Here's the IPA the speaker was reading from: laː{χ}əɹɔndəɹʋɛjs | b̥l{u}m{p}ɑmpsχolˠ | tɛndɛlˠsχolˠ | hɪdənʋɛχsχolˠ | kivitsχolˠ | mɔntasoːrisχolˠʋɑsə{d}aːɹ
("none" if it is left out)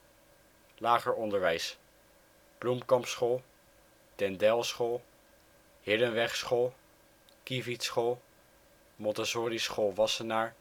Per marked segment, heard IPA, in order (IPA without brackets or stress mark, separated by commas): χ, u, k, n